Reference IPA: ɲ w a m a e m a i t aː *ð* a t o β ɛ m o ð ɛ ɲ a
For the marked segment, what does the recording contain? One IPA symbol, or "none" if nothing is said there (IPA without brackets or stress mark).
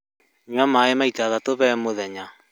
ð